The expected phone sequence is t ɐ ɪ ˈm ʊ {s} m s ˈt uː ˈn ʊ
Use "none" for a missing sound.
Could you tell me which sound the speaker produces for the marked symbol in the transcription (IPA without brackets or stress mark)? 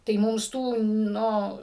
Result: none